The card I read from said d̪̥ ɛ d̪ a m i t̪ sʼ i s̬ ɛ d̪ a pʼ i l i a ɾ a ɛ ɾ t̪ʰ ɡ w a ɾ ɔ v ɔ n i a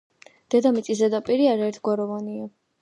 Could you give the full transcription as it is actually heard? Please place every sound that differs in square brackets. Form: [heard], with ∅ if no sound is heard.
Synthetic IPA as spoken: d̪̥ ɛ d̪ a m i t̪ sʼ i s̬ ɛ d̪ a pʼ i [ɾ] i a ɾ a ɛ ɾ t̪ʰ ɡ w a ɾ ɔ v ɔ n i a